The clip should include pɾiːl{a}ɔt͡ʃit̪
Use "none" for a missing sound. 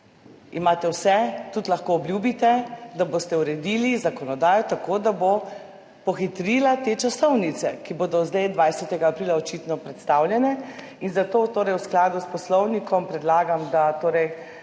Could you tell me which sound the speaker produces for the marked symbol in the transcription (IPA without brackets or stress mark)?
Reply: a